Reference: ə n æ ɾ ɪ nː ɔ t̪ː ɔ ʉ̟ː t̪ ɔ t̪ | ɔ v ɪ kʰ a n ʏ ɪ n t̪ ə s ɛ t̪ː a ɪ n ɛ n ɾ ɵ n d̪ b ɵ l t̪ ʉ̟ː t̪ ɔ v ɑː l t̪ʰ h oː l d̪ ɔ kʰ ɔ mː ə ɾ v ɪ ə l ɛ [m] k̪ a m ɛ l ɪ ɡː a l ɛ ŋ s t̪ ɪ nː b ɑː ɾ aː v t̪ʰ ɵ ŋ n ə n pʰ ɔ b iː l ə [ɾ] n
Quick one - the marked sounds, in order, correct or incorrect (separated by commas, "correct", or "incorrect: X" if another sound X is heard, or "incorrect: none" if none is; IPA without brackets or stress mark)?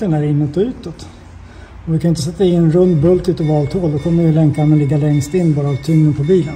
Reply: incorrect: ŋ, incorrect: none